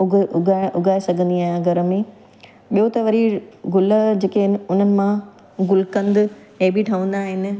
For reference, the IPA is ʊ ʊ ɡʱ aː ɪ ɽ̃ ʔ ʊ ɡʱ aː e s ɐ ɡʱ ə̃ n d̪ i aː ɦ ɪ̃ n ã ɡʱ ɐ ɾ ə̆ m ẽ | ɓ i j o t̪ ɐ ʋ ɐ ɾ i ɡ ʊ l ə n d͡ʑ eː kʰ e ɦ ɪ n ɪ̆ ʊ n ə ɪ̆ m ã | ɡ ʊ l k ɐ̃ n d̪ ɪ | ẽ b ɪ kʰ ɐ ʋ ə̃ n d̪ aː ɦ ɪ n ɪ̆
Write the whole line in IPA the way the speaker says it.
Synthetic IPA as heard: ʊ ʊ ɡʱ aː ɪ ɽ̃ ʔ ʊ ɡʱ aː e s ɐ ɡʱ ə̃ n d̪ i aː ɦ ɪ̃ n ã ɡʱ ɐ ɾ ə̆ m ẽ | ɓ i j o t̪ ɐ ʋ ɐ ɾ i ɡ ʊ l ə d͡ʑ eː k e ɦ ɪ n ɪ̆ ʊ n ə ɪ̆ m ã | ɡ ʊ l k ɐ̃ n d̪ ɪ | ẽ b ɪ ʈʰ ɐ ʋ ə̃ n d̪ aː ɦ ɪ n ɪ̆